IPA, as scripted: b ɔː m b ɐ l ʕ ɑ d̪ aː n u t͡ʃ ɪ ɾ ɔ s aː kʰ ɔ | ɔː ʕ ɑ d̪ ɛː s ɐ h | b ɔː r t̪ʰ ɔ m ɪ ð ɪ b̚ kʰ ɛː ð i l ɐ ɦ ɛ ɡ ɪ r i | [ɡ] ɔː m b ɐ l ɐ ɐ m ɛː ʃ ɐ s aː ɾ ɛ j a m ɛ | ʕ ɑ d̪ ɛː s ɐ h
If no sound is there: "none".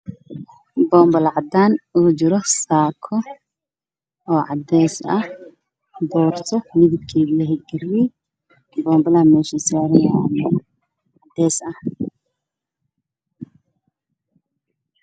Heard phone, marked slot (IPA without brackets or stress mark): b